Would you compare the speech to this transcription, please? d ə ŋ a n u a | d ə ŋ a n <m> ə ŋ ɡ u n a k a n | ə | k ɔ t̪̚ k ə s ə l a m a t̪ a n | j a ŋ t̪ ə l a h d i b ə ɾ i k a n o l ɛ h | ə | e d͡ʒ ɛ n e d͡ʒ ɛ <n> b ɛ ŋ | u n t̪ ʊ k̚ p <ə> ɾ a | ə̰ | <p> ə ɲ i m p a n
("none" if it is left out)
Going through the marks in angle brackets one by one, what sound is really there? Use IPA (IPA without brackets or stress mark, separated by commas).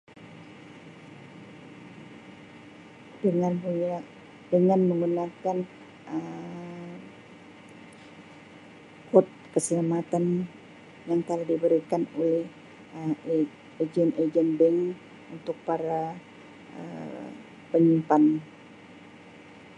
m, n, a, p